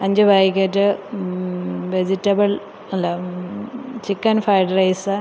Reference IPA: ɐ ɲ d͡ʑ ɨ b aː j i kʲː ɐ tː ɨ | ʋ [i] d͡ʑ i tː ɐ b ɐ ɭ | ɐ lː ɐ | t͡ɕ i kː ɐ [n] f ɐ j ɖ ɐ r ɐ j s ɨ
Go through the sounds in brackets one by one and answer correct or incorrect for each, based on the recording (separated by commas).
incorrect, correct